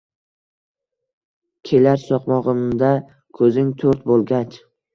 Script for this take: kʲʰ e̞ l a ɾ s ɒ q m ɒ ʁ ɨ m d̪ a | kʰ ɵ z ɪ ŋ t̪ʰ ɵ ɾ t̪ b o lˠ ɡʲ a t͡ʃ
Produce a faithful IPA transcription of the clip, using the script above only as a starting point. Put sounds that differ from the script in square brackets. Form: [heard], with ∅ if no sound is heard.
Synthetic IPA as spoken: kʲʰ e̞ l a ɾ s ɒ q m ɒ ʁ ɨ m d̪ a | kʰ ɵ z ɪ ŋ t̪ʰ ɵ ɾ t̪ b o lˠ ɡʲ a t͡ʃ